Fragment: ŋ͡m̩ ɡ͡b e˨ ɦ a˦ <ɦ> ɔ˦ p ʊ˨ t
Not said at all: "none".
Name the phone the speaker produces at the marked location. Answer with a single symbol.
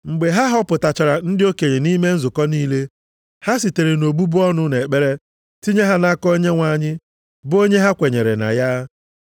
ɦ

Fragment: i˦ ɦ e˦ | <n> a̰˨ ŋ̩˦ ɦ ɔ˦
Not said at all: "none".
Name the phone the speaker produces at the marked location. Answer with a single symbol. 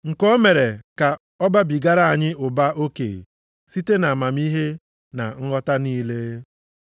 n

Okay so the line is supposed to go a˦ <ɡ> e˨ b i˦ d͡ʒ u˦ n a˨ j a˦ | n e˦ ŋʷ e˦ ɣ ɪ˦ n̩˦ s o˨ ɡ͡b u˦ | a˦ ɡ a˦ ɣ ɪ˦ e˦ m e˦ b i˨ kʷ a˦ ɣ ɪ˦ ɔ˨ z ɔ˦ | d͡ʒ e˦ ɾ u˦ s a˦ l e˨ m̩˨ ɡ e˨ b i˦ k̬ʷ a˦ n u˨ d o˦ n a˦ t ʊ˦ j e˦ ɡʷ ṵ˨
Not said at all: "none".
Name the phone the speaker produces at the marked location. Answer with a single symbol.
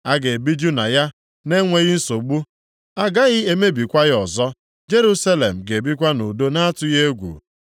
ɡ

